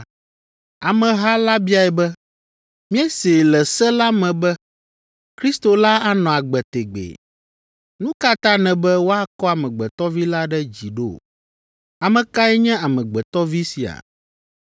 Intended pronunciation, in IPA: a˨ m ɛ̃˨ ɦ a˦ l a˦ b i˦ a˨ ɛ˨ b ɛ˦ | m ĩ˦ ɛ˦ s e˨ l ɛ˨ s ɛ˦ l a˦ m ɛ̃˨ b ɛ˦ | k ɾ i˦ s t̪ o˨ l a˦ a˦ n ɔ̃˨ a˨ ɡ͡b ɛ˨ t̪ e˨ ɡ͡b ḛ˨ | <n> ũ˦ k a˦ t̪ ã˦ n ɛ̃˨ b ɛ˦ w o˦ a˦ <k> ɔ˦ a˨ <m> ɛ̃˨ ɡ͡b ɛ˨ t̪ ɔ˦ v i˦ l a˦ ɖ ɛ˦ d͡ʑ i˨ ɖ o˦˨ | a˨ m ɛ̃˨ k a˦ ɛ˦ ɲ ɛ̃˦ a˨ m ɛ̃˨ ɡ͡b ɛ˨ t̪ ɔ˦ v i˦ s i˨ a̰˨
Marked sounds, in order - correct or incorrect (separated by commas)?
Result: correct, correct, correct